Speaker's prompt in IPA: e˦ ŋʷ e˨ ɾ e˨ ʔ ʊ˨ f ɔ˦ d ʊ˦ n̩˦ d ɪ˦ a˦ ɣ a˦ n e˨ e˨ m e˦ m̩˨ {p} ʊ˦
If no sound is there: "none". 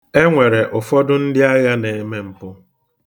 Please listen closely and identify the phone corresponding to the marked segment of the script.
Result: p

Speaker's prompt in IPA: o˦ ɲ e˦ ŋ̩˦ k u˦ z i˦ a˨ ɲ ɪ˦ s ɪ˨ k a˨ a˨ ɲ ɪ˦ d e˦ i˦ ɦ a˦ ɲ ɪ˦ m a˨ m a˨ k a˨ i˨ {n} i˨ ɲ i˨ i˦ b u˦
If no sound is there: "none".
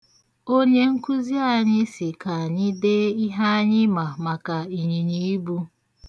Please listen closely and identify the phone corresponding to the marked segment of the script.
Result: ɲ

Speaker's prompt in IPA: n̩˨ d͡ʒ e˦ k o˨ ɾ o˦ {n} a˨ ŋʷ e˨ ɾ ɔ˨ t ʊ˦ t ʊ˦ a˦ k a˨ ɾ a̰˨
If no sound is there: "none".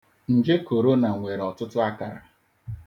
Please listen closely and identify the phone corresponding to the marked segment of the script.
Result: n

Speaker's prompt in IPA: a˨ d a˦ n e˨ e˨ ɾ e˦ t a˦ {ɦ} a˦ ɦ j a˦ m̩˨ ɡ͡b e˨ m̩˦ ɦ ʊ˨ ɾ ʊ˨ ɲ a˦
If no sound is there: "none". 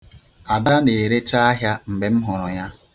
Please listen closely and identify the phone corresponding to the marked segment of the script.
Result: none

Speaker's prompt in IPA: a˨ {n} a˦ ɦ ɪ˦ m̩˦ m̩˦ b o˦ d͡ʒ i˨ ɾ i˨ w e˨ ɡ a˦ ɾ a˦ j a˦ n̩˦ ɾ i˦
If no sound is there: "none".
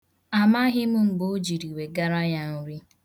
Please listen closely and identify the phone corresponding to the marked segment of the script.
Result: m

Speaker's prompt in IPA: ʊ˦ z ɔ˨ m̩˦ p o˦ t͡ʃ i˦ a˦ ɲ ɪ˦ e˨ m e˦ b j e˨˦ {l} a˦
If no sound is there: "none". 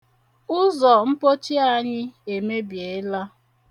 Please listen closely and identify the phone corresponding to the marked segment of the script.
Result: l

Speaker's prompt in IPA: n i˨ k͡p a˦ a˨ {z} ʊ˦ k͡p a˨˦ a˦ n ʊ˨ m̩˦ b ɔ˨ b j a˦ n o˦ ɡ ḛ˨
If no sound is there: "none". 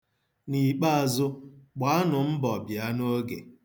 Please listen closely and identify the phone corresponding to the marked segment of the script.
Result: z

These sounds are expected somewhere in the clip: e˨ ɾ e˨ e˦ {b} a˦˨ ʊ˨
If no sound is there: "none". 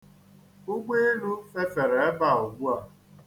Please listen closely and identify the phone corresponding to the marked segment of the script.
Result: b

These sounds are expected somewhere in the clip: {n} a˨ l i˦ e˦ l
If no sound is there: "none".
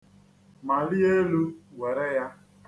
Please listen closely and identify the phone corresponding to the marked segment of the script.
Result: m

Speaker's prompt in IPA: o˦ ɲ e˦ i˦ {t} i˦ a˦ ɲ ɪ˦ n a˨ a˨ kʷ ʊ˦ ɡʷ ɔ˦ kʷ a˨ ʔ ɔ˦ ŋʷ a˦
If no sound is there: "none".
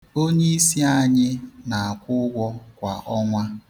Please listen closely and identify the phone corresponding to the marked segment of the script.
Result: s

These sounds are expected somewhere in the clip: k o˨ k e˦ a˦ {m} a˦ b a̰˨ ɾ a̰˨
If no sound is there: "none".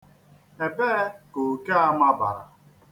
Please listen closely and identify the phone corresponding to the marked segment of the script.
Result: m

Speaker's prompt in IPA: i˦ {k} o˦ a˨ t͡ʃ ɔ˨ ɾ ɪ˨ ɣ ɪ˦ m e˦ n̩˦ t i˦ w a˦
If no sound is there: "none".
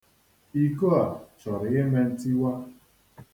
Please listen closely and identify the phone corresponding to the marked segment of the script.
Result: k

